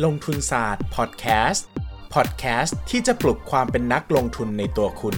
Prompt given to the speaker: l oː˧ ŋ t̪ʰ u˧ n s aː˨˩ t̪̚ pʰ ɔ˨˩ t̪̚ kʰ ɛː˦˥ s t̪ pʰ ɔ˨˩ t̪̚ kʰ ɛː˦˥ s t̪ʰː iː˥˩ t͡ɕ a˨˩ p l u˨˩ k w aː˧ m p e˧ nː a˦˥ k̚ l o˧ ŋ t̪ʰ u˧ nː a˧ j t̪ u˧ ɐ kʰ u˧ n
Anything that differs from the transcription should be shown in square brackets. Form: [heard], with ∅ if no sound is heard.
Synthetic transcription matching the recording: l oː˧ ŋ t̪ʰ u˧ n s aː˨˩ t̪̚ pʰ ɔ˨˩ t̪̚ kʰ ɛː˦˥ s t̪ pʰ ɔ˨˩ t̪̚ kʰ ɛː˦˥ s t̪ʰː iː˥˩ t͡ɕ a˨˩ p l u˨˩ [kʰ] w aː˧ m p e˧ nː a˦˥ k̚ l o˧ ŋ t̪ʰ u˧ nː a˧ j t̪ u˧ ɐ kʰ u˧ n